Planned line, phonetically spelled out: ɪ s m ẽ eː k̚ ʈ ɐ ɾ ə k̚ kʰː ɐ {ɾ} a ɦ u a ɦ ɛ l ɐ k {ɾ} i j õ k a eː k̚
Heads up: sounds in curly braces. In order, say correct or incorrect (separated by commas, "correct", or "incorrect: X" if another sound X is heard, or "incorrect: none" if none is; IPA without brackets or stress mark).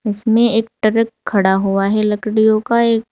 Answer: incorrect: ɽ, incorrect: ɽ